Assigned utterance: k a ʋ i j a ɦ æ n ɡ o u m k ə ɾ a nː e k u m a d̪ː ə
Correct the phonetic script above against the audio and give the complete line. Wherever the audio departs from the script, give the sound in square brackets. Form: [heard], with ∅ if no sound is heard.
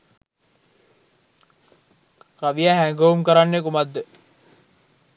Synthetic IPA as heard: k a ʋ i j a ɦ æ [ŋ] ɡ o u m k ə ɾ a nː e k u m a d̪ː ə